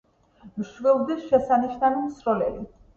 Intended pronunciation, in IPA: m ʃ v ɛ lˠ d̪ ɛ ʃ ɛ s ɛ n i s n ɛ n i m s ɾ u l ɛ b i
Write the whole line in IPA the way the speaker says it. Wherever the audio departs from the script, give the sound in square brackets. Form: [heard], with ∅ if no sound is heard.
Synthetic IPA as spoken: m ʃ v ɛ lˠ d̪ ɛ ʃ ɛ s [a] n i [ʃ] n [a] n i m s ɾ [ɔ] l ɛ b i